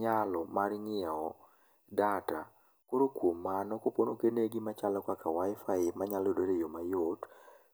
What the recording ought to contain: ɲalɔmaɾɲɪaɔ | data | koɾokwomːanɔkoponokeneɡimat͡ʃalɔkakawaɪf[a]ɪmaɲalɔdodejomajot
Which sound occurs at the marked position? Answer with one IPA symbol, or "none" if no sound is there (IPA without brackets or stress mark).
a